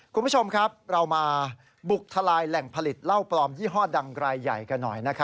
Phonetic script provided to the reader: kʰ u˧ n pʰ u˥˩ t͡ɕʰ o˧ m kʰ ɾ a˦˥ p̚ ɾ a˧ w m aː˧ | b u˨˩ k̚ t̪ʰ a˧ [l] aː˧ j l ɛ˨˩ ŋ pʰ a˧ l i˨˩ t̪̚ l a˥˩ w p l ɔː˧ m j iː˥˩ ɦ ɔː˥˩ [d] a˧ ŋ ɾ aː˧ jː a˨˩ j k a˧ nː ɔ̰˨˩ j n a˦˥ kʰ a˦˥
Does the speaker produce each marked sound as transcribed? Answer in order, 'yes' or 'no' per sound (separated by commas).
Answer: yes, yes